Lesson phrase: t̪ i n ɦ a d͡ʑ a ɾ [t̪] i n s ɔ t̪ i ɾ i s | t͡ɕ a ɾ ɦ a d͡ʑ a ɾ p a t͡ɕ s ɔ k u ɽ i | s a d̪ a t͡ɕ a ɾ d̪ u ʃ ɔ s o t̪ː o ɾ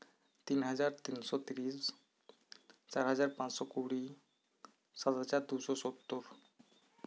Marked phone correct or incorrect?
correct